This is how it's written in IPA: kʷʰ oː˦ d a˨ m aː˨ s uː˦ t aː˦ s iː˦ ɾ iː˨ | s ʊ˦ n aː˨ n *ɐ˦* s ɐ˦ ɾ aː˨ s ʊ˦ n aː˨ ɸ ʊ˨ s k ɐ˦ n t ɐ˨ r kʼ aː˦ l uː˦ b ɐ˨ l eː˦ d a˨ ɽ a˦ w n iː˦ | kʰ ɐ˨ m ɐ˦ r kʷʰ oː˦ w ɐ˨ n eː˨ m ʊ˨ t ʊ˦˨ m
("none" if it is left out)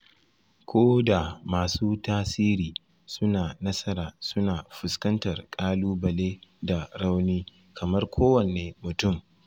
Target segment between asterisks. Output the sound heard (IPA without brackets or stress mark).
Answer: ɐ˦